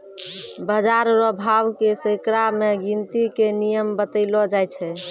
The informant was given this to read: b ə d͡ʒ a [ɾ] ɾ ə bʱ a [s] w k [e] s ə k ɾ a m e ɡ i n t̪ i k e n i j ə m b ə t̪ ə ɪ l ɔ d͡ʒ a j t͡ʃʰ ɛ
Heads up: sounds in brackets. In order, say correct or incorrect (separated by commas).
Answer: correct, incorrect, correct